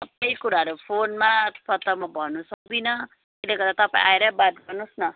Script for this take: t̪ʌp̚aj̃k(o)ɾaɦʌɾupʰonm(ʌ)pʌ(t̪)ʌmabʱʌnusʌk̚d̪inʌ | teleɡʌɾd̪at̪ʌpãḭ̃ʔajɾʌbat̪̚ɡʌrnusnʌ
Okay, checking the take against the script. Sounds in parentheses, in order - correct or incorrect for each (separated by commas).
incorrect, incorrect, correct